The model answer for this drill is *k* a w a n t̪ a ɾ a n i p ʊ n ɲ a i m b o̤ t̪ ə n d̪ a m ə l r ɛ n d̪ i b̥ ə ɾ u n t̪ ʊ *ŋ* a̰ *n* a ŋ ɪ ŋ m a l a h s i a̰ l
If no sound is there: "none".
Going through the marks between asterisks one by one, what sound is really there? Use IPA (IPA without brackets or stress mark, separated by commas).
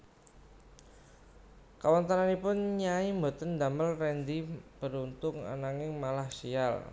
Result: k, ŋ, n